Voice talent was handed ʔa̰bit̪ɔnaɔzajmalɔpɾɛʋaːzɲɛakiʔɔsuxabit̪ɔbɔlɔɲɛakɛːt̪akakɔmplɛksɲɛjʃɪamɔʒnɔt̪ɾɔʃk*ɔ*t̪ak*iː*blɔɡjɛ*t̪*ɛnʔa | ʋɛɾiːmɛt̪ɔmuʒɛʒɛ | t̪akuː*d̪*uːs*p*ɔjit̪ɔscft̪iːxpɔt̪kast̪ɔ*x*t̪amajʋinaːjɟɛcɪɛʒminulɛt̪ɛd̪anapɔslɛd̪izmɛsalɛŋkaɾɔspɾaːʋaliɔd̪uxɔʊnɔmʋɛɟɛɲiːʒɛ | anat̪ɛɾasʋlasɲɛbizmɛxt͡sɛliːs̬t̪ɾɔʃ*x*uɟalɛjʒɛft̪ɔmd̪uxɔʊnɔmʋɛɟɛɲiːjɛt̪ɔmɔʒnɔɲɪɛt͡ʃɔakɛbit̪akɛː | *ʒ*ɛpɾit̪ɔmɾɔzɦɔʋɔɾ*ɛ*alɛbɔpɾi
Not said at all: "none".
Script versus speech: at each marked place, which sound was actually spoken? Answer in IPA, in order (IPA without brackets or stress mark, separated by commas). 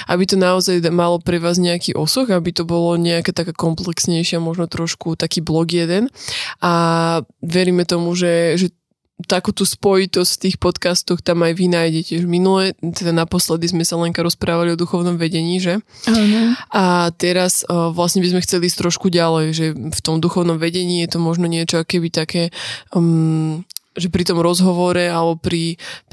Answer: u, iː, d̪, t̪, p, x, k, ʒ, ɛ